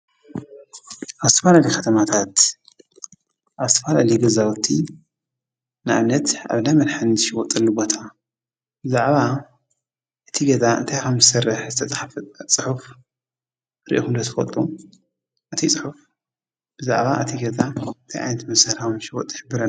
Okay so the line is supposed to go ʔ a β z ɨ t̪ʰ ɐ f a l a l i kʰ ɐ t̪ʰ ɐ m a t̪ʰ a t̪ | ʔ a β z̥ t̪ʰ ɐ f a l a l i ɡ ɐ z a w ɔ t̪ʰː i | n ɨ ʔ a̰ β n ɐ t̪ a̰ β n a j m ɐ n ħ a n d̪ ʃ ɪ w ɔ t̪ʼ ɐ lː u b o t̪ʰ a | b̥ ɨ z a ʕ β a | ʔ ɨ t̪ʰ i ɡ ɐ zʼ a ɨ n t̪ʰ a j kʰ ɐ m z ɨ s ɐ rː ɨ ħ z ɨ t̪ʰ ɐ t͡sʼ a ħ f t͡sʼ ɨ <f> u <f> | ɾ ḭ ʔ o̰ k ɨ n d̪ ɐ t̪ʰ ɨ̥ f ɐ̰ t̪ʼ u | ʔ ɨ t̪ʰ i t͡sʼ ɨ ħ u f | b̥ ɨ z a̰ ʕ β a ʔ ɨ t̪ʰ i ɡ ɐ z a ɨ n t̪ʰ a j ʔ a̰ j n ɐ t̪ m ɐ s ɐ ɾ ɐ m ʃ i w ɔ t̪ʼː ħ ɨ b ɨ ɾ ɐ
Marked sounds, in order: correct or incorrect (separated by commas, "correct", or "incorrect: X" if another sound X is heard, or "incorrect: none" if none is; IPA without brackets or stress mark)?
incorrect: ħ, correct